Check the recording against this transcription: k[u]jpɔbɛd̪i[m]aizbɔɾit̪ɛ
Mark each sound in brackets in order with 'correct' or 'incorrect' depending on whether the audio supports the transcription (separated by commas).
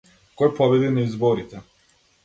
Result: incorrect, incorrect